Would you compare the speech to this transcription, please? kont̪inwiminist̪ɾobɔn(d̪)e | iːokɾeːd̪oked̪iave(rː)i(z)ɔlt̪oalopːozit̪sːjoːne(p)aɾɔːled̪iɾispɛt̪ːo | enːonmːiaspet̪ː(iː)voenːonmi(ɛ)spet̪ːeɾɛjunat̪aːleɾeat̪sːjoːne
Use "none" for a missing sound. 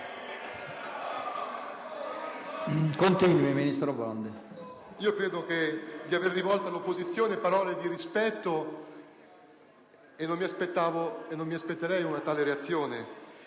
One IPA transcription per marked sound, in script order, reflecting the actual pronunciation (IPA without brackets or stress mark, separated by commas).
d̪, rː, v, p, aː, a